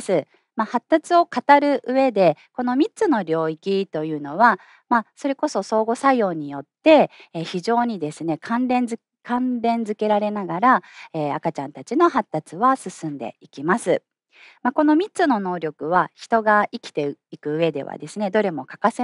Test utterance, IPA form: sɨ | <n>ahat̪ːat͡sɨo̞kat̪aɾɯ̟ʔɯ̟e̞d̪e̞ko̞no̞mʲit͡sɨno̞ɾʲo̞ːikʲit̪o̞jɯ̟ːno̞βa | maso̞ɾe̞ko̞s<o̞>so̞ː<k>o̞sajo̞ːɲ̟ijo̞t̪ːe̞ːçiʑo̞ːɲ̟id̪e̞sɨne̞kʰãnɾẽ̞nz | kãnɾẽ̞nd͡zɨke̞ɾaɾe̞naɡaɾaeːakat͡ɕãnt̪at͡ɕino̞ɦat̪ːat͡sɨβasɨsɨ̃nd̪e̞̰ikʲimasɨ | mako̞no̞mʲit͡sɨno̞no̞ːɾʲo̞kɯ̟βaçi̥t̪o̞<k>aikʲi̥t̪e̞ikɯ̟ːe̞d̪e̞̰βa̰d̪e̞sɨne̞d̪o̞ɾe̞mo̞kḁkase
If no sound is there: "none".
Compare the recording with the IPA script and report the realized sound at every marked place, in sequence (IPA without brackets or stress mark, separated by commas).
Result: m, o̞, ɡ, ɡ